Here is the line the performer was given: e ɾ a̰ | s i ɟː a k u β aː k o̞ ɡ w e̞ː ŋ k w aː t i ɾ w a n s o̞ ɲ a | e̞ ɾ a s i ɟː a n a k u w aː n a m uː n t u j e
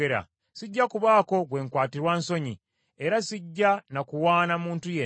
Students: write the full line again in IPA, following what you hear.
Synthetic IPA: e ɾ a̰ | s i ɟː a k u β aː k o̞ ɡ w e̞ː ŋ k w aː t i ɾ w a n s o̞ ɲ i | e̞ ɾ a s i ɟː a n a k u w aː n a m uː n t u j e